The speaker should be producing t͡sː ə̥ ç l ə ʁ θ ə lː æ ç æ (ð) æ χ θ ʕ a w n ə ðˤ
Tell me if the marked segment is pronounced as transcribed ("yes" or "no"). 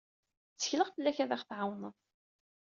yes